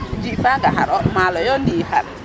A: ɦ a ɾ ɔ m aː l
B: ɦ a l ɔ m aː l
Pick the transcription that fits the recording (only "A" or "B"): A